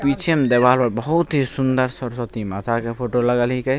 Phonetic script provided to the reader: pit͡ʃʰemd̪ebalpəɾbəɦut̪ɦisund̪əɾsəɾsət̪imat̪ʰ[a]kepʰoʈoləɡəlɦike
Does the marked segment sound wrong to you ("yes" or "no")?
no